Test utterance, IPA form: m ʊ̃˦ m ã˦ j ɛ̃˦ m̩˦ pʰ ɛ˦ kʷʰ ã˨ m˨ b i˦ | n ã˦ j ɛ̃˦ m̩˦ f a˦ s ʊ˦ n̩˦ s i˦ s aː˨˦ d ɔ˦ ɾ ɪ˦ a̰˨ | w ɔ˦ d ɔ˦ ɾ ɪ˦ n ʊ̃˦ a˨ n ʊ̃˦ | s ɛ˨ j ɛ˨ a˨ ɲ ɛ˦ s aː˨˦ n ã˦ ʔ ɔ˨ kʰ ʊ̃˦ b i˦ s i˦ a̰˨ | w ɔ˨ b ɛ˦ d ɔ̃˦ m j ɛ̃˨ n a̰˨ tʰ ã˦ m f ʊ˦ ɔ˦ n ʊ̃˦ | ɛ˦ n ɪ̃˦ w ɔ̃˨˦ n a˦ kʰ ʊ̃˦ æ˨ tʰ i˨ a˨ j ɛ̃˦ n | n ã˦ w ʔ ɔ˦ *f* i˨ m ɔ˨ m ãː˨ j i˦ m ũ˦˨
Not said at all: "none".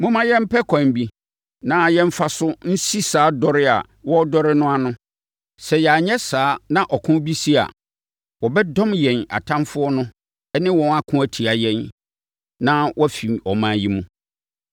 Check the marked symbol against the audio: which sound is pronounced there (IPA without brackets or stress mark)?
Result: f